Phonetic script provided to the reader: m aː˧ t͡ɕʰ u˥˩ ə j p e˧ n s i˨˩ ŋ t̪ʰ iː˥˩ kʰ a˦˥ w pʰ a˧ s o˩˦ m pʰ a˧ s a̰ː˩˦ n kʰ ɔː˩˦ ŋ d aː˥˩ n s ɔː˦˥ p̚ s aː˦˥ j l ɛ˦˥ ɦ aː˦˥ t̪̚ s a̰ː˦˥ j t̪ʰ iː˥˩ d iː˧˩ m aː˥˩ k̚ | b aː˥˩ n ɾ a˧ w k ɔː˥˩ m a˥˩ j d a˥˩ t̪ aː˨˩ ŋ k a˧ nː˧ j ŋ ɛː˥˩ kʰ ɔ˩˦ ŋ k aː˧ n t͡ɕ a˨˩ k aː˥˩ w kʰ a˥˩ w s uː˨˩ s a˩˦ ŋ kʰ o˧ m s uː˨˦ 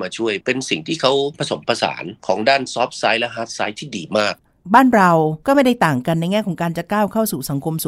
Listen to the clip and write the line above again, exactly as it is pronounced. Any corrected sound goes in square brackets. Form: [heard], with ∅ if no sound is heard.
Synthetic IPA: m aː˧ t͡ɕʰ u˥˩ ə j p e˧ n s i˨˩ ŋ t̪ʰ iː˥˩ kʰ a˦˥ w pʰ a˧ s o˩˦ m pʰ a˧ s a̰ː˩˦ n kʰ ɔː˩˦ ŋ d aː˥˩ n s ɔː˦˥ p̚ s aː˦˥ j l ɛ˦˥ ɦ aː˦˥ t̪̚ s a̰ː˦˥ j t̪ʰ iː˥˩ d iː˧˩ m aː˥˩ k̚ | b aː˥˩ n ɾ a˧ w k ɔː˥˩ m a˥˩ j d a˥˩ t̪ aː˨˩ ŋ k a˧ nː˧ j ŋ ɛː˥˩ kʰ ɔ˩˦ ŋ k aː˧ n t͡ɕ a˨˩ k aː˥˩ w kʰ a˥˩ w s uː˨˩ s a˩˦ ŋ kʰ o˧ m s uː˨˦